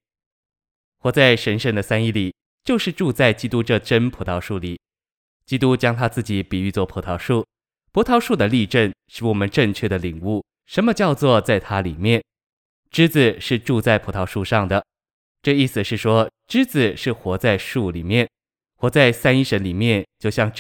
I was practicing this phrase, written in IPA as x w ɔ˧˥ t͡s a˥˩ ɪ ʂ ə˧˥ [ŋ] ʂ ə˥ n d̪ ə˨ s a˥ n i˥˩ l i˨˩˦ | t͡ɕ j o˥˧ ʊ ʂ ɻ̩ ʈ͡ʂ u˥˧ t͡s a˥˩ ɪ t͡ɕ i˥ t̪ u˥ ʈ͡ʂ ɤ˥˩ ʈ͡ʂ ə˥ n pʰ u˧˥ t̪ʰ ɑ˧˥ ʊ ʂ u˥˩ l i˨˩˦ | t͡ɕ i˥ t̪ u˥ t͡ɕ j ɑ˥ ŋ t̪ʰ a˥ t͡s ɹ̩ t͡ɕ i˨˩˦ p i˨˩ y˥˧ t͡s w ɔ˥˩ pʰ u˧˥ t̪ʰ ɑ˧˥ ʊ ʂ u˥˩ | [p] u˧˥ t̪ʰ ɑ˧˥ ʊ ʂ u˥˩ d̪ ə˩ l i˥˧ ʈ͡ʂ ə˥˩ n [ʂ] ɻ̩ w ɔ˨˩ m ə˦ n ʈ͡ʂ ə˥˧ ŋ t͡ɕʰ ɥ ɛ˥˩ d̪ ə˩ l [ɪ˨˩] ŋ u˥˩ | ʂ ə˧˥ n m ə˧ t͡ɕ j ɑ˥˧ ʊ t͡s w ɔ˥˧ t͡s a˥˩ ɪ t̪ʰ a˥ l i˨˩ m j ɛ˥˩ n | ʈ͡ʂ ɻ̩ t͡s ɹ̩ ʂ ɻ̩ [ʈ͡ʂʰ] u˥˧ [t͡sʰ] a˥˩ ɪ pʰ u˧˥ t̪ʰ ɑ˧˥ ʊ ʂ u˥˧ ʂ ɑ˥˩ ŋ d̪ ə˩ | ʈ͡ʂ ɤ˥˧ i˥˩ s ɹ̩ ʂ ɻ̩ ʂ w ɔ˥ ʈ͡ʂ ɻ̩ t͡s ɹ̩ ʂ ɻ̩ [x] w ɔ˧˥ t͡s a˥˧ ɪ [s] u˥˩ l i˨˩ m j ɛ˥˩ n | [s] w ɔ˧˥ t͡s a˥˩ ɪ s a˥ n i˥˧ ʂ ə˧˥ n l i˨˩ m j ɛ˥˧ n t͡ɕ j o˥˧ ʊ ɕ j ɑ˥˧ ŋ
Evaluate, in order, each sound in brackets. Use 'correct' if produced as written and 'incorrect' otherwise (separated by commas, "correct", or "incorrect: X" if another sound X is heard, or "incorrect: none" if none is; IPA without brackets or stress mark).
incorrect: n, incorrect: pʰ, correct, incorrect: i˨˩, incorrect: ʈ͡ʂ, incorrect: t͡s, correct, incorrect: ʂ, incorrect: x